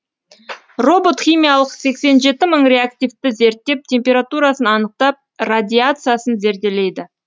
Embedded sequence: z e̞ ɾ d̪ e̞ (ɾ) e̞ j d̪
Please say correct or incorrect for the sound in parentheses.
incorrect